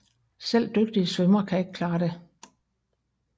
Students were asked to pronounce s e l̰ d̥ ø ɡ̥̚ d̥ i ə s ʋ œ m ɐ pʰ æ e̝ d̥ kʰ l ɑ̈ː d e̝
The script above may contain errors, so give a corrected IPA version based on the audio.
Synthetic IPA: s e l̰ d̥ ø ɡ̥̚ d̥ i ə s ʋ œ m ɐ kʰ æ e̝ ɡ̥ kʰ l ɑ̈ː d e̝